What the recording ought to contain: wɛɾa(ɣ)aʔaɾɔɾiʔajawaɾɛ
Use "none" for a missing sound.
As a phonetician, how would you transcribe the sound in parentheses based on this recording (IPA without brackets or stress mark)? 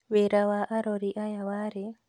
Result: w